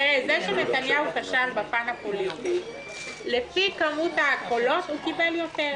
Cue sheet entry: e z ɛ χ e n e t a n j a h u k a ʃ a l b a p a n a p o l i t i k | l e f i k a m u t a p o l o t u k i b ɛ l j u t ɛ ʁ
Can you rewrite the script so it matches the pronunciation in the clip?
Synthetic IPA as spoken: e z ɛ ʃ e n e t a n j a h u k a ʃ a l b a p a n a p o l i t i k | l e f i k a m u t a k o l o t u k i b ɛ l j o t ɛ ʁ